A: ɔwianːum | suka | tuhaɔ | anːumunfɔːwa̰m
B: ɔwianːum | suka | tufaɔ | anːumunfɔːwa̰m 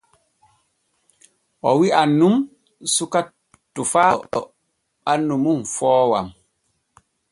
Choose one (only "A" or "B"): B